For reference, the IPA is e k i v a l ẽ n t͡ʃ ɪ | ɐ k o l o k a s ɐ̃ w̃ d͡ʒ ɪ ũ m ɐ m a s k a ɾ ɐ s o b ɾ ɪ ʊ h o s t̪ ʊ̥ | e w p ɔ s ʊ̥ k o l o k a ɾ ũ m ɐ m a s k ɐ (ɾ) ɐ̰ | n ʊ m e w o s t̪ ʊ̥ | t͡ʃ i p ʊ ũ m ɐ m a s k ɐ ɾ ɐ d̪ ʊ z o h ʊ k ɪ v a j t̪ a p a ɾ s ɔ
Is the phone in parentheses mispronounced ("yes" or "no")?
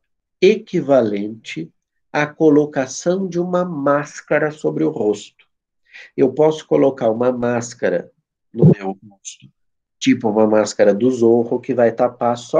no